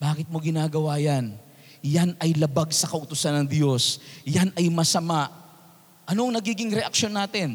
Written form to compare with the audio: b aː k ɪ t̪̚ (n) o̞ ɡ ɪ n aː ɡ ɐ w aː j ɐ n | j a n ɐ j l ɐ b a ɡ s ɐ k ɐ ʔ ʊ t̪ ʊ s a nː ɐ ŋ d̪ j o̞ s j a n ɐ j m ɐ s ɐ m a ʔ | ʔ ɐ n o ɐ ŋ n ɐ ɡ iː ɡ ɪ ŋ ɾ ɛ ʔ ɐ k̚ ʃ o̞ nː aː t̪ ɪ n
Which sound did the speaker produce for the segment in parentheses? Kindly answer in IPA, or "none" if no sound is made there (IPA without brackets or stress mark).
m